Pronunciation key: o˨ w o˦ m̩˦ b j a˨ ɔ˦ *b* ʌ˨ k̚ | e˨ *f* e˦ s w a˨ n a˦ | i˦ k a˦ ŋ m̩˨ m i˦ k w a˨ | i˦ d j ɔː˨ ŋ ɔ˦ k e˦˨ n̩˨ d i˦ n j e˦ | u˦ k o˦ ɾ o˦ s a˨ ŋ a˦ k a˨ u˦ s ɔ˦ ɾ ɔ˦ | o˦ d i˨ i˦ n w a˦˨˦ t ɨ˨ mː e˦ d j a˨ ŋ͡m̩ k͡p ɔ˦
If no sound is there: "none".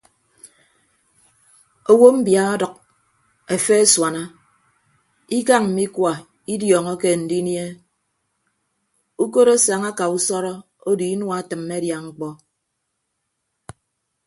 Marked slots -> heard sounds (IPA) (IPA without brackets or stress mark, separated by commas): d, f